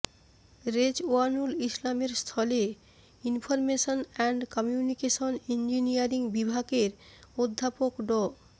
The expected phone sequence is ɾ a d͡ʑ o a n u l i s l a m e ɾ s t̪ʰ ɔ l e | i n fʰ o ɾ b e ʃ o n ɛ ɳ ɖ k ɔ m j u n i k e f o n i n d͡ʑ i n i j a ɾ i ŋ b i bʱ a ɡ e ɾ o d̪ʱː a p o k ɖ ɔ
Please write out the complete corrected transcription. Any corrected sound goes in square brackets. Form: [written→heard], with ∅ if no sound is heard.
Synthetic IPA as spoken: ɾ [a→e] d͡ʑ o a n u l i s l a m e ɾ s t̪ʰ ɔ l e | i n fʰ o ɾ [b→m] e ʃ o n ɛ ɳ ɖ k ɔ m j u n i k e [f→ʃ] o n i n d͡ʑ i n i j a ɾ i ŋ b i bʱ a ɡ e ɾ o d̪ʱː a p o k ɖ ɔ